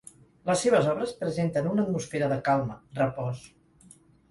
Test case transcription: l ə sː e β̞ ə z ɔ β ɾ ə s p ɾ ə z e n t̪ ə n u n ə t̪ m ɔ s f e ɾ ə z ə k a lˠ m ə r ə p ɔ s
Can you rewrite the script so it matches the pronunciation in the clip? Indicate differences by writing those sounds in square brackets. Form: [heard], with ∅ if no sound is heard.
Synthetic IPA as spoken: l ə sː e β̞ ə z ɔ β ɾ ə s p ɾ ə z e n t̪ ə n u n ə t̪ m [u] s f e ɾ ə [ð] ə k a lˠ m ə r ə p ɔ s